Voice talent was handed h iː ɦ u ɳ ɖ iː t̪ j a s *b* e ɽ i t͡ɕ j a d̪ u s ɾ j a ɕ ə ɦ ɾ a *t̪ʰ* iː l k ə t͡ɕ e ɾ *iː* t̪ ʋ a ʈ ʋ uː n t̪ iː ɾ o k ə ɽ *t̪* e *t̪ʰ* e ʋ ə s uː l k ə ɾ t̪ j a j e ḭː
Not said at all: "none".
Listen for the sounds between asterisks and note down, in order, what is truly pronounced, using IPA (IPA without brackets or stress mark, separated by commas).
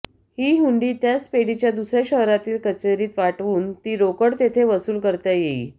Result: p, t̪, iː, t̪, t̪ʰ